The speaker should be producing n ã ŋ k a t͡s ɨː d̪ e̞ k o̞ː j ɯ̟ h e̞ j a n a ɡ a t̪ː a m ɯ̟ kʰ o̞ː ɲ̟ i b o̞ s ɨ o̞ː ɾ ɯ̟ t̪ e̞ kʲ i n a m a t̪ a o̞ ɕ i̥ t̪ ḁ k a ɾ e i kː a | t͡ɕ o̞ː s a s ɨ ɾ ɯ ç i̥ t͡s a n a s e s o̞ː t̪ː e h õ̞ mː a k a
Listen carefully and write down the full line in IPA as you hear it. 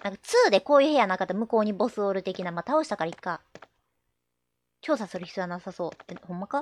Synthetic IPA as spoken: n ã ŋ k a t͡s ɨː d̪ e̞ k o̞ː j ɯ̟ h e̞ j a n a k a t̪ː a m ɯ̟ k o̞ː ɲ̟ i b o̞ s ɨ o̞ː ɾ ɯ̟ t̪ e̞ kʲ i n a m a t̪ a o̞ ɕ i̥ t̪ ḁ k a ɾ a i kː a | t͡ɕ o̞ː s a s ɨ ɾ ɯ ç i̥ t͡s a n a s a s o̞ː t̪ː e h õ̞ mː a k a

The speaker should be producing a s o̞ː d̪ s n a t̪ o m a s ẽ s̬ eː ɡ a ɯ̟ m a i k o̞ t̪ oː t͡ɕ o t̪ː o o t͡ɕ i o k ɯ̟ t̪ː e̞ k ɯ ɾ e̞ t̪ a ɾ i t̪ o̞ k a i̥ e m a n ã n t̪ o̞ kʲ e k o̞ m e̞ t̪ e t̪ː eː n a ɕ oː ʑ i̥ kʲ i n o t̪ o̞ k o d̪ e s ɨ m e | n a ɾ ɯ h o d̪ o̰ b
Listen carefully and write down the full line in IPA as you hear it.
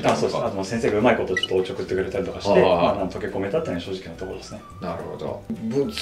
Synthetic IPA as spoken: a s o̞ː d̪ s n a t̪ o m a s ẽ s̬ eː ɡ a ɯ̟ m a i k o̞ t̪ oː t͡ɕ o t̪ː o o t͡ɕ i o k ɯ̟ t̪ː e̞ k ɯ ɾ e̞ t̪ a ɾ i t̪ o̞ k a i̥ e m a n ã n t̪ o̞ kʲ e k o̞ m e̞ t̪ a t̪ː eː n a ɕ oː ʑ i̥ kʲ i n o t̪ o̞ k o d̪ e s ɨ n e | n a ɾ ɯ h o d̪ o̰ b

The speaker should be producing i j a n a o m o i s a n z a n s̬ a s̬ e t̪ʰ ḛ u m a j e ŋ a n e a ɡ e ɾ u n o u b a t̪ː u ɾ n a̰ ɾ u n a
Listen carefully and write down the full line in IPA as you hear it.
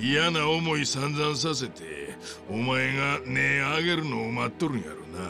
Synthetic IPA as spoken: i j a n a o m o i s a n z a n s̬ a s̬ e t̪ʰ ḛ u m a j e ŋ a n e a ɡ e ɾ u n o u m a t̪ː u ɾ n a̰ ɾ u n a

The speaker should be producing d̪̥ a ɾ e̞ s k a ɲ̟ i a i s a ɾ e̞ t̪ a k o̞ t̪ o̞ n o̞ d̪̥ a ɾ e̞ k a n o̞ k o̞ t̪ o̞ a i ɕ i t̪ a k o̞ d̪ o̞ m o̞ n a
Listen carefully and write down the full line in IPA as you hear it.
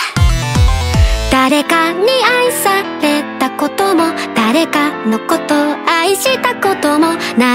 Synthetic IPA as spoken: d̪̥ a ɾ e̞ k a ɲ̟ i a i s a ɾ e̞ t̪ a k o̞ t̪ o̞ m o̞ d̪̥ a ɾ e̞ k a n o̞ k o̞ t̪ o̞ a i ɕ i t̪ a k o̞ t̪ o̞ m o̞ n a

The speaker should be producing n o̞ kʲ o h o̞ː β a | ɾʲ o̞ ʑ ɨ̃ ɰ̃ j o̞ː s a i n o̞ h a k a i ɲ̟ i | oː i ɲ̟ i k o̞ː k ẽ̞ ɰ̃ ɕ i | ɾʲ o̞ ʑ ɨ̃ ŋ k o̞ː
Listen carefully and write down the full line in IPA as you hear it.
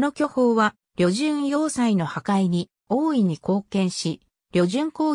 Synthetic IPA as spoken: n o̞ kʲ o h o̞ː β a | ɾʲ o̞ ʑ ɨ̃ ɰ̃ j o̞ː s a i n o̞ h a k a i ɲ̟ i | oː i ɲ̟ i k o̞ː k ẽ̞ ɰ̃ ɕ i | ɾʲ o̞ ʑ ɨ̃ ŋ k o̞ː

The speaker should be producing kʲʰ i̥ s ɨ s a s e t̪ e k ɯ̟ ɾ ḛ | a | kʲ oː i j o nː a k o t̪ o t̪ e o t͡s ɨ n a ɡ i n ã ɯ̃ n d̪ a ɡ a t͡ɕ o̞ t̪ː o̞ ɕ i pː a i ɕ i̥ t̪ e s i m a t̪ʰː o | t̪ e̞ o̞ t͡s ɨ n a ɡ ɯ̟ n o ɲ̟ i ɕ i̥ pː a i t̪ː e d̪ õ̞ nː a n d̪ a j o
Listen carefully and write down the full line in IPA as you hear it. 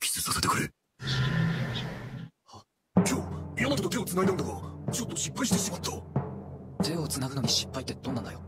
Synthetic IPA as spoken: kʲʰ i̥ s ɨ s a s e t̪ e k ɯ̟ ɾ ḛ | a | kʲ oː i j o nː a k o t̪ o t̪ e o t͡s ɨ n a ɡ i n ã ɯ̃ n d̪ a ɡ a t͡ɕ o̞ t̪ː o̞ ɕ i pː a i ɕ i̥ t̪ e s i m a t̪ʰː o | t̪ e̞ o̞ t͡s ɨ n a ɡ ɯ̟ n o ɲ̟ i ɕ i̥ pː a i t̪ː e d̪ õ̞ nː a n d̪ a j o

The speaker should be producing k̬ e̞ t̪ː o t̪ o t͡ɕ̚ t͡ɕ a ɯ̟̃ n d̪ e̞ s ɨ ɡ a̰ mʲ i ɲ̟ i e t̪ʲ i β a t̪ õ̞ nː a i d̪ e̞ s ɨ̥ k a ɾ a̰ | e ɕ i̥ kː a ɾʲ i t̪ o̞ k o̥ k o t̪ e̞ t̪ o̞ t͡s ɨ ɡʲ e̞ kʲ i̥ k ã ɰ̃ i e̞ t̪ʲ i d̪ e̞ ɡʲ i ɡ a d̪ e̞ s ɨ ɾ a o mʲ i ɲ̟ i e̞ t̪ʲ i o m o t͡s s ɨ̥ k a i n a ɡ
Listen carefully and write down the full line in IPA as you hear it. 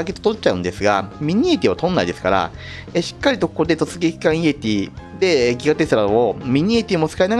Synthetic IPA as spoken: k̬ e̞ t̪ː o t̪ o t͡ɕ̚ t͡ɕ a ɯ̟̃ n d̪ e̞ s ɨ ɡ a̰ mʲ i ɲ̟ i e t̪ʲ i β a t̪ õ̞ nː a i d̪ e̞ s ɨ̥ k a ɾ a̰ | e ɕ i̥ kː a ɾʲ i t̪ o̞ k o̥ k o d̪ e̞ t̪ o̞ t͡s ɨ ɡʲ e̞ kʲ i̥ k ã ɰ̃ i e̞ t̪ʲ i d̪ e̞ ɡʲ i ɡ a t̪ e̞ s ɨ ɾ a o mʲ i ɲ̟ i e̞ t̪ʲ i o m o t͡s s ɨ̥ k a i n a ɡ

